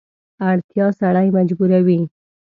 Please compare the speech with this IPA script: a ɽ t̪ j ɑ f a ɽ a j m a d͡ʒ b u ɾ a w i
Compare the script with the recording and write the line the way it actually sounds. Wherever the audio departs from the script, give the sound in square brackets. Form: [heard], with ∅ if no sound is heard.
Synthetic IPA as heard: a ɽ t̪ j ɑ [s] a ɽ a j m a d͡ʒ b u ɾ a w i

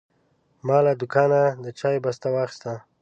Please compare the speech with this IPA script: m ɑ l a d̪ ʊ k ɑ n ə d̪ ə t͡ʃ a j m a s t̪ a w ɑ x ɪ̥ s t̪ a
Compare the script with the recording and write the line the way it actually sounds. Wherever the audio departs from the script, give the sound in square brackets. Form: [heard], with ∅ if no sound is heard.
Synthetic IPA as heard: m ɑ l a d̪ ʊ k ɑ n [a] d̪ ə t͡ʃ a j [b] a s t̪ a w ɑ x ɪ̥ s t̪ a

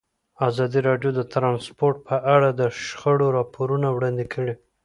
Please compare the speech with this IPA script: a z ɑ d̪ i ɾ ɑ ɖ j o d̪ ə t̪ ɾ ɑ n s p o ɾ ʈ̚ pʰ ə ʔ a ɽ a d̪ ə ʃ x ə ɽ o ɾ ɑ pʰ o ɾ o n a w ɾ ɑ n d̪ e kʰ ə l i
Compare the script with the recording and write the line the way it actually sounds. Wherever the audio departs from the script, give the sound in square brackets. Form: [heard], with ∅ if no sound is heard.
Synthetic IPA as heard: a z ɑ d̪ i ɾ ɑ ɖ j o d̪ ə t̪ ɾ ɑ n s p o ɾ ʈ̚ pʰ ə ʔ a ɽ a d̪ ə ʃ x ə ɽ o ɾ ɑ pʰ o ɾ [u] n a w [ɽ] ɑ n d̪ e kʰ ə [ɽ] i

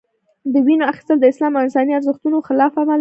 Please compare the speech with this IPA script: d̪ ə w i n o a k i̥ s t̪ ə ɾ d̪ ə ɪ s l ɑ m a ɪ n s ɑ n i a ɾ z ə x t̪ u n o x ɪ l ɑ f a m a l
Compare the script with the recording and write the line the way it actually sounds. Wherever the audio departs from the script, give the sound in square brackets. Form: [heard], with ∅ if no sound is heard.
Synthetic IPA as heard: d̪ ə w i n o a [x] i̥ s t̪ ə [l] d̪ ə ɪ s l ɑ m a ɪ n s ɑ n i a ɾ z ə x t̪ u n o x ɪ l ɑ f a m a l

